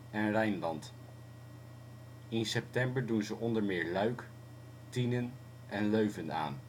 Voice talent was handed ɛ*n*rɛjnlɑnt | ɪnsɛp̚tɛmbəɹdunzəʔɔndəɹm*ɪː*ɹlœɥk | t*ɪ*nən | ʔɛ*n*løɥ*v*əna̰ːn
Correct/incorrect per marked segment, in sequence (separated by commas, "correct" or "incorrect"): correct, correct, incorrect, correct, correct